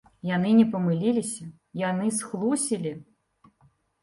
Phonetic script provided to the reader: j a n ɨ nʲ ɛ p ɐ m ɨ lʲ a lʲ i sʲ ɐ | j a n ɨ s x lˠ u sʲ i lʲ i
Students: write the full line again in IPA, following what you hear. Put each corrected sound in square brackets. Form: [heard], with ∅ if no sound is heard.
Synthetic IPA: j a n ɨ nʲ ɛ p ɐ m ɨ lʲ [i] lʲ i sʲ ɐ | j a n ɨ s x lˠ u sʲ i lʲ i